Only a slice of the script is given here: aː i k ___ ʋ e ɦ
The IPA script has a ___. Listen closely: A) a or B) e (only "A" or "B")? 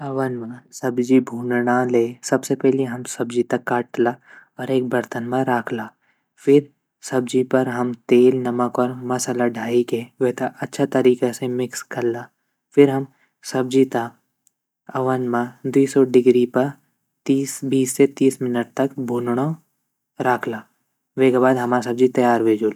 B